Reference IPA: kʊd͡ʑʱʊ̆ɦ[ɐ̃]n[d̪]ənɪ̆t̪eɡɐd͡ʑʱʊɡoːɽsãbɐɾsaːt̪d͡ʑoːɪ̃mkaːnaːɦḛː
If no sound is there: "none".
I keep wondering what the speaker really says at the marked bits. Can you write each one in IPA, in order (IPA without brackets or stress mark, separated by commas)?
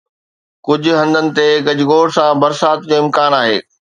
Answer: ɐ̃, d̪